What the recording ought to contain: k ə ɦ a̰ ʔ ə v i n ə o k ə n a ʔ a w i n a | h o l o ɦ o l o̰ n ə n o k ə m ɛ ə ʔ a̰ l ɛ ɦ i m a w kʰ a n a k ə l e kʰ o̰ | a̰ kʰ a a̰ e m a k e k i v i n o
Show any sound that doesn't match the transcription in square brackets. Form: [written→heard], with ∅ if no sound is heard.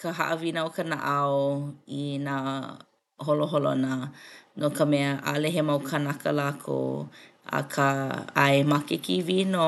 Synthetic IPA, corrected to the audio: k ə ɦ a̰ ʔ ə v i n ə o k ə n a ʔ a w i n a | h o l o ɦ o l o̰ n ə n o k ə m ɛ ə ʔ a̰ l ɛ ɦ [i→e] m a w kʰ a n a k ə l [e→a] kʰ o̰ | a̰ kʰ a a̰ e m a k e k i v i n o